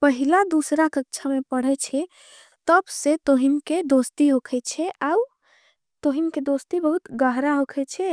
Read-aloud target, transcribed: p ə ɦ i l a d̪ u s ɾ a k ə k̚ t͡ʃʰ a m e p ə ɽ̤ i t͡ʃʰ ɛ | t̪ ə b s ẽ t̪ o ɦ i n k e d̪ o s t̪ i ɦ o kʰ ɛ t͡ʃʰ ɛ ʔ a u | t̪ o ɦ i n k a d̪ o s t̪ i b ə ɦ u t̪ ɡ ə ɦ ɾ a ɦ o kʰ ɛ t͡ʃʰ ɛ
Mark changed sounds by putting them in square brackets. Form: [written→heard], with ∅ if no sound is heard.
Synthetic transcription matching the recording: p ə ɦ i l a d̪ u s ɾ a k ə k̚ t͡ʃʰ a m e p ə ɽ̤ [i→ɛ] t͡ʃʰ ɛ | t̪ ə b s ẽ t̪ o ɦ i n k e d̪ o s t̪ i ɦ o kʰ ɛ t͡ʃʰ ɛ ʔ a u | t̪ o ɦ i n k [a→e] d̪ o s t̪ i b ə ɦ u t̪ ɡ ə ɦ ɾ a ɦ o kʰ ɛ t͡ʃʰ ɛ